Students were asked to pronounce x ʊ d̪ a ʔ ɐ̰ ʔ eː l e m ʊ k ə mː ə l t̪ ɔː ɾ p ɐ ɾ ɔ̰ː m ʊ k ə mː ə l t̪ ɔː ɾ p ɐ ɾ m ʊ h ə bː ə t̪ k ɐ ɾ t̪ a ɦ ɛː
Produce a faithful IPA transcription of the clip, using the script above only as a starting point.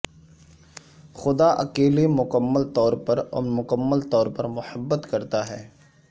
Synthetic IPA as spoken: x ʊ d̪ a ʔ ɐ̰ k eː l e m ʊ k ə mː ə l t̪ ɔː ɾ p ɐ ɾ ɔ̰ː m ʊ k ə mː ə l t̪ ɔː ɾ p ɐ ɾ m ʊ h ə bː ə t̪ k ɐ ɾ t̪ a ɦ ɛː